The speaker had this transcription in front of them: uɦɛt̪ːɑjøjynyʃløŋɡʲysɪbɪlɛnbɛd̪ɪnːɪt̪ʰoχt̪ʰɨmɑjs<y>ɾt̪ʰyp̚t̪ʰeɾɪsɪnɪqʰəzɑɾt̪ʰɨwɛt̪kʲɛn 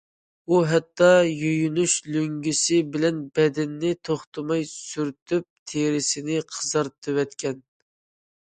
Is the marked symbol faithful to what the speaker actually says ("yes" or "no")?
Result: yes